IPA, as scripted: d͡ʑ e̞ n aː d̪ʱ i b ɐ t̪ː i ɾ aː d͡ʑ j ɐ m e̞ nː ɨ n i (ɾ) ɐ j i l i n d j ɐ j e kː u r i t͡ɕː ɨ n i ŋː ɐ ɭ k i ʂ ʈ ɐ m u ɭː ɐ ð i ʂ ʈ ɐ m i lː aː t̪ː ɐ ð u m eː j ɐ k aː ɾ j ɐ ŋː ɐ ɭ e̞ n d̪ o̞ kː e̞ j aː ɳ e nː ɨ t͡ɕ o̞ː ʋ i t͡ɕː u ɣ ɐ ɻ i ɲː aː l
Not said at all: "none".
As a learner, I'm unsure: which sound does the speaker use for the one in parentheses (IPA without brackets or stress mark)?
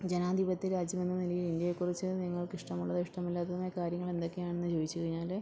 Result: l